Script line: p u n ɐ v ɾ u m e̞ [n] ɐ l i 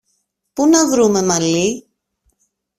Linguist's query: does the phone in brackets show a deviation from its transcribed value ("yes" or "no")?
yes